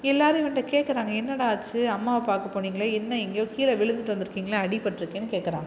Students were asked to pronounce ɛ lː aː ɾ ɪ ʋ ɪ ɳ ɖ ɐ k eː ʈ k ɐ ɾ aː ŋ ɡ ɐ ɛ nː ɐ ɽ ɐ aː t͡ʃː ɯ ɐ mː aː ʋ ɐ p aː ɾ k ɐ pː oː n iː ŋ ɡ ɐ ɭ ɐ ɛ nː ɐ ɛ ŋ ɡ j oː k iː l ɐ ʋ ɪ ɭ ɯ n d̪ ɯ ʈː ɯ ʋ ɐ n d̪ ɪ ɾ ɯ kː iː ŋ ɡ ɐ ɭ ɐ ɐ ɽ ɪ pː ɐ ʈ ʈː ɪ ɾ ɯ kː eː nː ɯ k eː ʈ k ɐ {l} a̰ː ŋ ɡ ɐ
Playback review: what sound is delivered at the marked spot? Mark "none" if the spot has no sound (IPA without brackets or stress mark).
ɾ